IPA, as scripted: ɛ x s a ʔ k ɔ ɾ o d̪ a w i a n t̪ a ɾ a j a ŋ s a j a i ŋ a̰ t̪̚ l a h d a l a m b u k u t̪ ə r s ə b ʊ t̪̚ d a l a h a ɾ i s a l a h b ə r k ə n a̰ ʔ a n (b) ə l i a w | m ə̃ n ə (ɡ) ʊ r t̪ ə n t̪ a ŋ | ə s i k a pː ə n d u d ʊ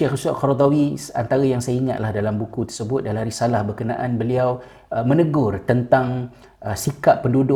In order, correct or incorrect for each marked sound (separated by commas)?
correct, correct